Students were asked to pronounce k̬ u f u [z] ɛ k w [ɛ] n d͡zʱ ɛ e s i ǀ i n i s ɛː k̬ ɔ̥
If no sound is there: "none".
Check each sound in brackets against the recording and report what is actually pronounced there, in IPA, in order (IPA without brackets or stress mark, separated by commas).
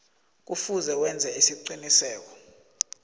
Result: z, ɛ